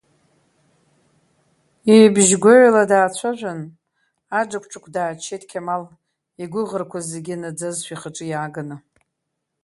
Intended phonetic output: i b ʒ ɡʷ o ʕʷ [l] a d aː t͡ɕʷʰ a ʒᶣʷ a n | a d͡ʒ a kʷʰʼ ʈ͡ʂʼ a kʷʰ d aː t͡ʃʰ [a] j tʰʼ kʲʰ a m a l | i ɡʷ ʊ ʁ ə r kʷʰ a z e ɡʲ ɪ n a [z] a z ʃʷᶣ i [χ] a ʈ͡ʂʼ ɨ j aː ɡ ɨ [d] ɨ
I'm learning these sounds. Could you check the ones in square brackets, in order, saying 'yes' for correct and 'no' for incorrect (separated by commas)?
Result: yes, no, no, yes, no